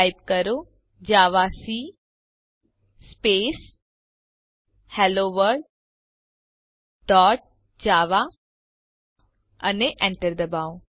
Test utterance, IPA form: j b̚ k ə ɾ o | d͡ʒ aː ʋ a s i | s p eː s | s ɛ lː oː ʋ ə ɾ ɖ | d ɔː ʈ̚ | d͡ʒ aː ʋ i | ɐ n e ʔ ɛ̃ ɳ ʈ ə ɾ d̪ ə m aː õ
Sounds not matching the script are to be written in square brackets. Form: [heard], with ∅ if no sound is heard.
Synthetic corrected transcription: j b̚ k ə ɾ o | d͡ʒ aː ʋ a s i | s p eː s | [h] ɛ [l] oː ʋ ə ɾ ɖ | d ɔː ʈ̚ | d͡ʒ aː ʋ [a] | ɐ n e ʔ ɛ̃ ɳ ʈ ə ɾ d̪ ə [b] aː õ